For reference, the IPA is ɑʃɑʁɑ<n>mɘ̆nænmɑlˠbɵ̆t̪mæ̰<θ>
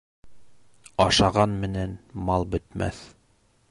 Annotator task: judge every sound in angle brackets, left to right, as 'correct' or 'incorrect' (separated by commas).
correct, correct